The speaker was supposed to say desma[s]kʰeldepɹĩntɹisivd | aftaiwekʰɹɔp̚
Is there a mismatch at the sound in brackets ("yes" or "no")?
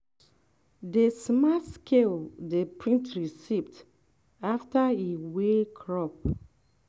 no